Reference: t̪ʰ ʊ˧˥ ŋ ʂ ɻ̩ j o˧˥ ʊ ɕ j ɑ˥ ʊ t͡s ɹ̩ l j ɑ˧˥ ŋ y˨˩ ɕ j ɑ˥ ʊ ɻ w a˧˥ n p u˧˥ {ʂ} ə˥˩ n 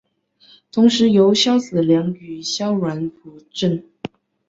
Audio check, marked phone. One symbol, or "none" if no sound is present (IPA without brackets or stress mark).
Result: ʈ͡ʂ